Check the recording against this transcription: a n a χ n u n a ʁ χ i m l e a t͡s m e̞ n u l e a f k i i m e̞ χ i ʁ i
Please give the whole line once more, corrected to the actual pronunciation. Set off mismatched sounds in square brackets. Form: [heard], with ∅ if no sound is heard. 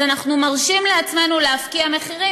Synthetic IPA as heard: a n a χ n u [m] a ʁ [ʃ] i m l e a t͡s m e̞ n u l e a f k i [a] m e̞ χ i ʁ i